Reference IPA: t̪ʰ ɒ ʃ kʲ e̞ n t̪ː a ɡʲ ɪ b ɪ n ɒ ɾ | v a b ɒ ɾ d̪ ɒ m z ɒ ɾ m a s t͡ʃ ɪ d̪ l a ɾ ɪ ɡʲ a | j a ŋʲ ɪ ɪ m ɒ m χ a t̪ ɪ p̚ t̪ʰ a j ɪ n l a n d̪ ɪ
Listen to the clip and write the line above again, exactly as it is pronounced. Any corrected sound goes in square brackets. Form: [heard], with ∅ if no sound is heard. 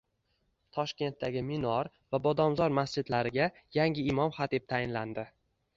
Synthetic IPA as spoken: t̪ʰ ɒ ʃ kʲ e̞ n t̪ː a ɡʲ ɪ [m] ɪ n ɒ ɾ | v a b ɒ [∅] d̪ ɒ m z ɒ ɾ m a s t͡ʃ ɪ d̪ l a ɾ ɪ ɡʲ a | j a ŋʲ ɪ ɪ m ɒ m χ a t̪ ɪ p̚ t̪ʰ a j ɪ n l a n d̪ ɪ